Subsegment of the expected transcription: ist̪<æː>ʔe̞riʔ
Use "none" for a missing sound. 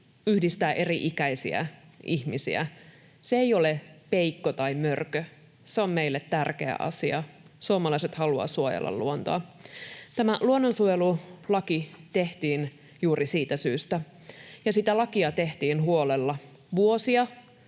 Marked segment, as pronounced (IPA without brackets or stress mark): æː